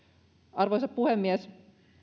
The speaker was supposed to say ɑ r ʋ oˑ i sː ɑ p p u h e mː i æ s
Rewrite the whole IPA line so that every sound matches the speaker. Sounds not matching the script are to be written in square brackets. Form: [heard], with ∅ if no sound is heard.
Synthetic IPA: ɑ r ʋ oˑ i [s] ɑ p p u h e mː i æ s